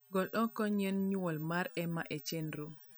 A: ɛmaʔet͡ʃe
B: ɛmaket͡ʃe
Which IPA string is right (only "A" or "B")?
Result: A